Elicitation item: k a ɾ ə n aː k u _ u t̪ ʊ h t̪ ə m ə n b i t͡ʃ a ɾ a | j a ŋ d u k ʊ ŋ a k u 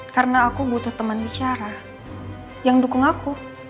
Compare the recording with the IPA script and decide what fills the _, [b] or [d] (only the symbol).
b